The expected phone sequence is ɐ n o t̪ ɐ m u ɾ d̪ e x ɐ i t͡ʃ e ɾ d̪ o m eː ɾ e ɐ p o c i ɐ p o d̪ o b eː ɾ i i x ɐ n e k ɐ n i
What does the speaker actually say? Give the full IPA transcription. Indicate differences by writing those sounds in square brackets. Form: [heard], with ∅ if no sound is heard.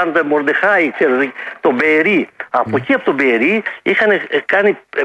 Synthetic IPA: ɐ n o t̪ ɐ m [o] ɾ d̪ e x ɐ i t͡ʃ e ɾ [t̪] o [b] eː ɾ [i] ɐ p o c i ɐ p o [t̪] o b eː ɾ i i x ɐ n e k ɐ n i